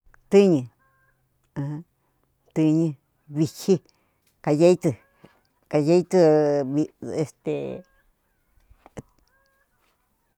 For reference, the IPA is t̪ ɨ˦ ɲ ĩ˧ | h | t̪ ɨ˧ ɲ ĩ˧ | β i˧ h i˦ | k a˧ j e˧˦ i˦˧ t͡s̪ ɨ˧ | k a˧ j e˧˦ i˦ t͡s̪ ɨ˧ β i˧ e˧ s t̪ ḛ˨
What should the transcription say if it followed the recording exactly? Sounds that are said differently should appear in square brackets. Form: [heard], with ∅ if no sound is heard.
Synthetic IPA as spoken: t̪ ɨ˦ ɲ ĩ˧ | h | t̪ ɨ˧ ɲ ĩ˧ | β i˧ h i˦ | k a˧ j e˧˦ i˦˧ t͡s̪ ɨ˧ | k a˧ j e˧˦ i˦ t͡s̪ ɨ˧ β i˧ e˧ s t̪ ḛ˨